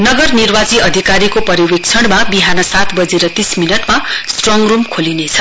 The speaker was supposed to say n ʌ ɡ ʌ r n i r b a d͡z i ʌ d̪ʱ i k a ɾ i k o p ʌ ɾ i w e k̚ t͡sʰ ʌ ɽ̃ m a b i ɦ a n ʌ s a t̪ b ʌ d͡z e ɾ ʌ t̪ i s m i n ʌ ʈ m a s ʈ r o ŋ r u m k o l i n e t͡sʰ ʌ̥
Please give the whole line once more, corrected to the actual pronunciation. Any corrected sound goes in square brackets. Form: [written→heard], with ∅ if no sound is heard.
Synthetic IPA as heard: n ʌ ɡ ʌ r n i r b a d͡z i ʌ d̪ʱ i k a ɾ i k o p ʌ ɾ i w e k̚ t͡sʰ ʌ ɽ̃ m a b i ɦ a n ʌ s a t̪ b ʌ d͡z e ɾ ʌ t̪ i s m i n ʌ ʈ m a s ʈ r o ŋ r u m [k→kʰ] o l i n e t͡sʰ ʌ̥